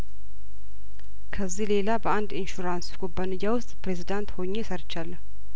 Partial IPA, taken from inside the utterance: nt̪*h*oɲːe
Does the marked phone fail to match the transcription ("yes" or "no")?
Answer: no